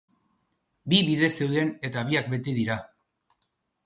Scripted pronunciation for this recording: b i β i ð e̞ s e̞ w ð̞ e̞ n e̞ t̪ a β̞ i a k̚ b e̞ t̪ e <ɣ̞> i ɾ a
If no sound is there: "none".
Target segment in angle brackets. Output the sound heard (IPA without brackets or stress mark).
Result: ð̞